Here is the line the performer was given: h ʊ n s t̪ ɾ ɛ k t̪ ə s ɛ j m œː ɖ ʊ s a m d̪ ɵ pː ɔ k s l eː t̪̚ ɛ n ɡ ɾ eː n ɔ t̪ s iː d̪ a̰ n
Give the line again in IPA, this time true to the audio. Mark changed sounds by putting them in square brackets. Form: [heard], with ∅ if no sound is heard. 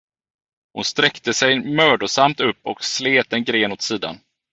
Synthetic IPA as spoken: h ʊ n s t̪ ɾ ɛ k t̪ ə s ɛ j m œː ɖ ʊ s a m [t̪] ɵ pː ɔ k s l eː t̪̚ ɛ n ɡ ɾ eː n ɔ t̪ s iː d̪ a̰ n